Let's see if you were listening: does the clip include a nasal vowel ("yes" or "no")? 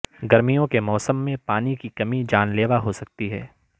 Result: yes